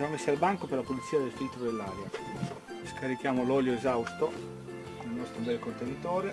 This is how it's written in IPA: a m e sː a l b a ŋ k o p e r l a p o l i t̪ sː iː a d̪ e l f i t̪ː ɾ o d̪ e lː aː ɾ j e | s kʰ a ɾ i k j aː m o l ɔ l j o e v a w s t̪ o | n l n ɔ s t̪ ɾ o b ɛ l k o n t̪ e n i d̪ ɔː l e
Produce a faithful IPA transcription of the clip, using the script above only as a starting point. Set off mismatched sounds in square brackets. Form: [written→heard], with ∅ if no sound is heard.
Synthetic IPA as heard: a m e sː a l b a ŋ k o p e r l a p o l i t̪ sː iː a d̪ e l f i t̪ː ɾ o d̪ e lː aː ɾ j [e→a] | s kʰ a ɾ i k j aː m o l ɔ l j o e [v→z] a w s t̪ o | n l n ɔ s t̪ ɾ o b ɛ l k o n t̪ e n i [d̪→t̪] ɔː [l→ɾ] e